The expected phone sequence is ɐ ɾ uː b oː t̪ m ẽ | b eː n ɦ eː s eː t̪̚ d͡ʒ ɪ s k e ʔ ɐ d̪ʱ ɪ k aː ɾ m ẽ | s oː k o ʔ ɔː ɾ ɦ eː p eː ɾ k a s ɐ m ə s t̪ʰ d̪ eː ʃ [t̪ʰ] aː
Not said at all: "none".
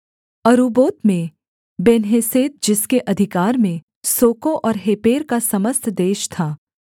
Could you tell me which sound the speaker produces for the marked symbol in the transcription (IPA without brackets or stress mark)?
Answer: t̪ʰ